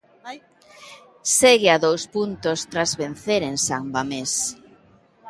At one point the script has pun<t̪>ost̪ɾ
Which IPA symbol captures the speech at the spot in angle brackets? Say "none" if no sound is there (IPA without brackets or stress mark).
t̪